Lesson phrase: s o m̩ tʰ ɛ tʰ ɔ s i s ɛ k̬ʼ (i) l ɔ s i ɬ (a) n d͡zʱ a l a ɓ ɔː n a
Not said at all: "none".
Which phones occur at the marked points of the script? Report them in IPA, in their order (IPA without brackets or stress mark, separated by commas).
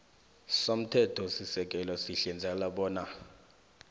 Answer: ɛ, ɛ